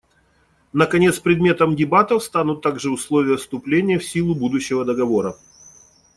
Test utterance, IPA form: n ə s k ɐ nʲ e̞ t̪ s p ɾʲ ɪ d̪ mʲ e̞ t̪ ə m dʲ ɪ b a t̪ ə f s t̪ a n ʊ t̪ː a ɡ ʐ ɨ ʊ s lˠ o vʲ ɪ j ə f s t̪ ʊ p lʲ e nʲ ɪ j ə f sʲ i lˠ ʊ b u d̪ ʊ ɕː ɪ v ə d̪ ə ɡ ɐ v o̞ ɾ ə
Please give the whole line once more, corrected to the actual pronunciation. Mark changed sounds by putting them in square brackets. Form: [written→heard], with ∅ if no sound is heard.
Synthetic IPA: n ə [s→∅] k ɐ nʲ e̞ t̪ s p ɾʲ ɪ d̪ mʲ e̞ t̪ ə m dʲ ɪ b a t̪ ə f s t̪ a n ʊ t̪ː a ɡ ʐ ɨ ʊ s lˠ o vʲ ɪ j ə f s t̪ ʊ p lʲ e nʲ ɪ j ə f sʲ i lˠ ʊ b u d̪ ʊ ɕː ɪ v ə d̪ ə ɡ ɐ v o̞ ɾ ə